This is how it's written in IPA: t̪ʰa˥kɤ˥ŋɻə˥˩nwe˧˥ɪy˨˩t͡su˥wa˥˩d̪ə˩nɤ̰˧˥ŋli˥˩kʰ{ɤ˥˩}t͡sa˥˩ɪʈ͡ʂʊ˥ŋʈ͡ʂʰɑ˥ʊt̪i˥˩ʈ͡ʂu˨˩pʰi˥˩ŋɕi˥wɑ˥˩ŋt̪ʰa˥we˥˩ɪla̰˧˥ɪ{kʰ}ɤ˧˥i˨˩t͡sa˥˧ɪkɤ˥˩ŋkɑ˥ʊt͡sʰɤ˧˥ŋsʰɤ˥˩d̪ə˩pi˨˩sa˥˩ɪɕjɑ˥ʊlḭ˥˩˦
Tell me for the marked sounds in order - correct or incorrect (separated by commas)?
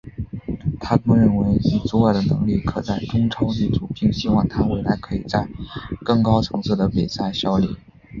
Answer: incorrect, correct